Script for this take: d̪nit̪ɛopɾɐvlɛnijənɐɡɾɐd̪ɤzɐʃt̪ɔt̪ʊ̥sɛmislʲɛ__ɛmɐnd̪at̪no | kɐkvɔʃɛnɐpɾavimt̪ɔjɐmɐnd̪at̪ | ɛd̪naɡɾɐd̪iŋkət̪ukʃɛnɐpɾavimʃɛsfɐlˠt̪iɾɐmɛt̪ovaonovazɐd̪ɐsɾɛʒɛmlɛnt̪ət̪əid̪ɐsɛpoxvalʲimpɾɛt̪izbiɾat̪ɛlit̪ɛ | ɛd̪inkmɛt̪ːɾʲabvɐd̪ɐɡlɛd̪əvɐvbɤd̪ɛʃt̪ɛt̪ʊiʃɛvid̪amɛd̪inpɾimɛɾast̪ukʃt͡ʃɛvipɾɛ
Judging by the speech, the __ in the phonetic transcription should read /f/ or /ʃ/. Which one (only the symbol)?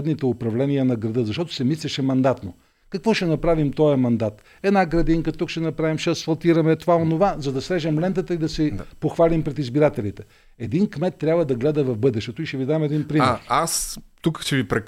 ʃ